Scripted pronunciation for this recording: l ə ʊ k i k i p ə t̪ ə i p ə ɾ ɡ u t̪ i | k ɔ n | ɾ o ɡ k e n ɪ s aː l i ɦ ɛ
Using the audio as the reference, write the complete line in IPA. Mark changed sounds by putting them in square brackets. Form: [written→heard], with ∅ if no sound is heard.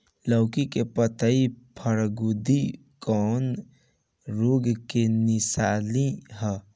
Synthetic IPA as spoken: l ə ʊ k i k [i→e] p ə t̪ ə i [p→pʰ] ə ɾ ɡ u [t̪→d̪] i | k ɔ n | ɾ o ɡ k e n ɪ s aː l i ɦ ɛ